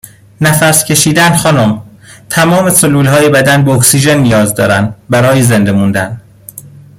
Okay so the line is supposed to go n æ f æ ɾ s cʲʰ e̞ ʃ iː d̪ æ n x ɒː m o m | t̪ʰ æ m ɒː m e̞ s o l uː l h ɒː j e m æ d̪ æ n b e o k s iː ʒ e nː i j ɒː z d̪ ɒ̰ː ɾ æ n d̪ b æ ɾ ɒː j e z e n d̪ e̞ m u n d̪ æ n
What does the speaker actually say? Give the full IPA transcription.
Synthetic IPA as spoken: n æ f æ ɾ s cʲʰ e̞ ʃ iː d̪ æ n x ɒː n o m | t̪ʰ æ m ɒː m e̞ s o l uː l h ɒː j e b æ d̪ æ n b e o k s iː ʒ e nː i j ɒː z d̪ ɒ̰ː ɾ æ n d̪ b æ ɾ ɒː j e z e n d̪ e̞ m u n d̪ æ n